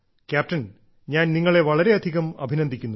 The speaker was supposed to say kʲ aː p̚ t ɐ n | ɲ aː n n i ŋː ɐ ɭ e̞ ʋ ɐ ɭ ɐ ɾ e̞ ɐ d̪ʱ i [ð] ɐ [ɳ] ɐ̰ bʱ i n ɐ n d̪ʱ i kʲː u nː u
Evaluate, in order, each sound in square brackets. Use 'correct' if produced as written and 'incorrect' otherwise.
incorrect: ɣ, incorrect: m

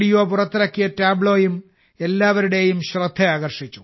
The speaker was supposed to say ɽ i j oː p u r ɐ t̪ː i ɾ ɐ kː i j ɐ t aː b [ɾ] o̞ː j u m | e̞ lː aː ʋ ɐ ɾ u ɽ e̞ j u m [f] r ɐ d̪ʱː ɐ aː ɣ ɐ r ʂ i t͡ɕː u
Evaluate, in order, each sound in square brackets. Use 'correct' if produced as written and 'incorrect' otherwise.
incorrect: ɭ, incorrect: ɕ

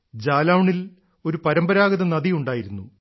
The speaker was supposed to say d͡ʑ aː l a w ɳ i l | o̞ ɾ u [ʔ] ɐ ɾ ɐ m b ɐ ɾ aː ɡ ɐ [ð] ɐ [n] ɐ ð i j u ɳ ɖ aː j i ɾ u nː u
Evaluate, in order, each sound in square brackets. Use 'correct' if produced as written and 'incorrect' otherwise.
incorrect: p, correct, correct

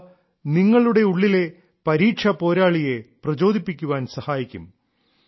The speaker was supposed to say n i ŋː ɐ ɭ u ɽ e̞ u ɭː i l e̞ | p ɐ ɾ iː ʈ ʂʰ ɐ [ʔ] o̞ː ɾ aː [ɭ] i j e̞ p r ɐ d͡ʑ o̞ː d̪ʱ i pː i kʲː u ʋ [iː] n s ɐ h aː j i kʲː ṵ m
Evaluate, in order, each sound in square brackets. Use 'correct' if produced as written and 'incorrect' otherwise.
incorrect: p, correct, incorrect: aː

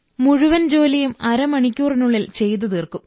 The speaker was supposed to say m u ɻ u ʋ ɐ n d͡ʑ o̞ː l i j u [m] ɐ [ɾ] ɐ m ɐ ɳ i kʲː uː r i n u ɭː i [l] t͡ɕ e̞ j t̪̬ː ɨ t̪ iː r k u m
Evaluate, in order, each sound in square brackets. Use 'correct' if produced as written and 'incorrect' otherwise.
correct, correct, correct

